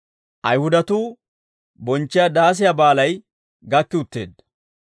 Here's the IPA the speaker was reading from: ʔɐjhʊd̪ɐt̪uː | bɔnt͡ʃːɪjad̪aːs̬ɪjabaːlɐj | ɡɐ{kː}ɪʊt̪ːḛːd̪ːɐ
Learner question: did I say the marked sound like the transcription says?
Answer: yes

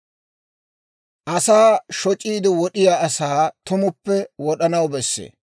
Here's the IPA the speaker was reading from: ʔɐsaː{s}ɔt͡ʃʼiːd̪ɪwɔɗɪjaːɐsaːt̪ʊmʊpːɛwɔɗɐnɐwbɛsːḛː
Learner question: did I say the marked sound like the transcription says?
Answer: no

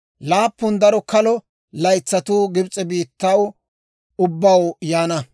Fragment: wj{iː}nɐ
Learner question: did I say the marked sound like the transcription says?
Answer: no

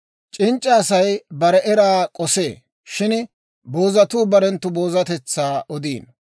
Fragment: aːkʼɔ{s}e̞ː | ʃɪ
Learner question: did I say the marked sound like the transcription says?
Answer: yes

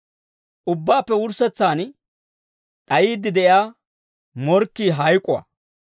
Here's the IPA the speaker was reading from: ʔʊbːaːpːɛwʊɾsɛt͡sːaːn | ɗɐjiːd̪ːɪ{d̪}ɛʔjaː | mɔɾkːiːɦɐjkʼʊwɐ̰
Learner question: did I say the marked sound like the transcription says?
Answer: yes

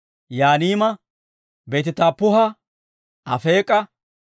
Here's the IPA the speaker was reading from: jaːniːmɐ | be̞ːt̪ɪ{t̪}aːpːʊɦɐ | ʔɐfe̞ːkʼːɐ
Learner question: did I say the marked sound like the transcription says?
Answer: yes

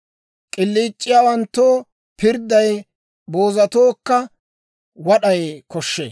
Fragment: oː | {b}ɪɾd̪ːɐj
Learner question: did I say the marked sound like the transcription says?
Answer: no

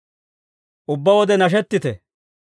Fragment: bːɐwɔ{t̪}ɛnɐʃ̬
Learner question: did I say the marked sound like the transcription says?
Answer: no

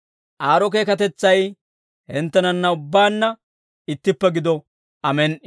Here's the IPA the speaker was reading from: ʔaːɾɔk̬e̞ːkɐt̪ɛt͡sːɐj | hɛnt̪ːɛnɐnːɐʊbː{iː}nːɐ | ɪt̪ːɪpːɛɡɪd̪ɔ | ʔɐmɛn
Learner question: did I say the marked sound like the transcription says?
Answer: no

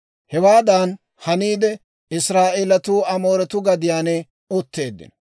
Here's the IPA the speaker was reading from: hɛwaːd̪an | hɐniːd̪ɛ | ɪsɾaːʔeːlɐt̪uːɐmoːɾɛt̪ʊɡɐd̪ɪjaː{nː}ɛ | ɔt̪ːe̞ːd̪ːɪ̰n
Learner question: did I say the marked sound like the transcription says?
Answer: no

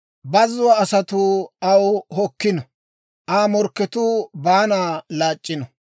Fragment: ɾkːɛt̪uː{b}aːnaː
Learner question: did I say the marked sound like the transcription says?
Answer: yes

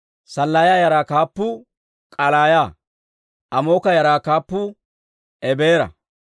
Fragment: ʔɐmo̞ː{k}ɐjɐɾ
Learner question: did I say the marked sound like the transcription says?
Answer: yes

